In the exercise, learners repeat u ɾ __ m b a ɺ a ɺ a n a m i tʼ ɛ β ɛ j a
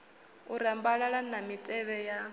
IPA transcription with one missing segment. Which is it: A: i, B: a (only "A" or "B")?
B